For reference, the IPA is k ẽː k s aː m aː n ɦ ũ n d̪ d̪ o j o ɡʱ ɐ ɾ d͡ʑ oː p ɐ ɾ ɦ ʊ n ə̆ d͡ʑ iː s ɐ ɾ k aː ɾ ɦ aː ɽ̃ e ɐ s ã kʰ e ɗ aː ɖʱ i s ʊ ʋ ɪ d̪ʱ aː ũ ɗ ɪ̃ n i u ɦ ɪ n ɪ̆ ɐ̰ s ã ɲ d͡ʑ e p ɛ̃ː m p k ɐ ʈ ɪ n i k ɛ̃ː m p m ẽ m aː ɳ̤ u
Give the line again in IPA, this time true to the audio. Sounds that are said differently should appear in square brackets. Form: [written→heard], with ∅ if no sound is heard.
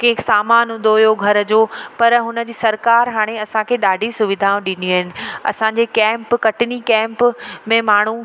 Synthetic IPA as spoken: k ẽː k s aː m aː n ɦ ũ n d̪ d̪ o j o ɡʱ ɐ ɾ d͡ʑ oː p ɐ ɾ ɦ ʊ n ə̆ d͡ʑ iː s ɐ ɾ k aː ɾ ɦ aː ɽ̃ e ɐ s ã kʰ e ɗ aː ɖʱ i s ʊ ʋ ɪ d̪ʱ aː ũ ɗ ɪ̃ n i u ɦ ɪ n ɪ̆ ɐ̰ s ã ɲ d͡ʑ e [p→k] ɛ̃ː m p k ɐ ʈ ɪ n i k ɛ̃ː m p m ẽ m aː ɳ̤ u